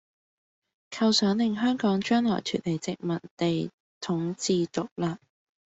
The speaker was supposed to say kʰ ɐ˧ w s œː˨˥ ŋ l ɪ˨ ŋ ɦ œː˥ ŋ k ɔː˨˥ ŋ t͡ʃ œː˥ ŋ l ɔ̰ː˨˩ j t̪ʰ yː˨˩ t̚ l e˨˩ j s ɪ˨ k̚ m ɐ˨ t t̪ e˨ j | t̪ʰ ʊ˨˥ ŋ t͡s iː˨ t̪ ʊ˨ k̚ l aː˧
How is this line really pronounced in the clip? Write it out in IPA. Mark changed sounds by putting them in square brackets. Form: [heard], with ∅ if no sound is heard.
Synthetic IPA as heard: kʰ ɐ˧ w s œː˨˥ ŋ l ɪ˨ ŋ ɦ œː˥ ŋ k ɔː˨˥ ŋ t͡ʃ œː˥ ŋ l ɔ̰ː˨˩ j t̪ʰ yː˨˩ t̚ l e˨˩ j [t͡s] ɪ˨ k̚ m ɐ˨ t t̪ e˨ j | t̪ʰ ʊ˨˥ ŋ t͡s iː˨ t̪ ʊ˨ k̚ l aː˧

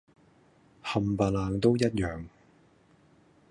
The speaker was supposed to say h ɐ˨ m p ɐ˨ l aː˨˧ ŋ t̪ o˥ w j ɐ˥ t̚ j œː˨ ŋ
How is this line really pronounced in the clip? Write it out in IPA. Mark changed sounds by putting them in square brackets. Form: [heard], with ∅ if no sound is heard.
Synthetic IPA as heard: h ɐ˨ m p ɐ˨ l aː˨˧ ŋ t̪ o˥ w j ɐ˥ t̚ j œː˨ ŋ

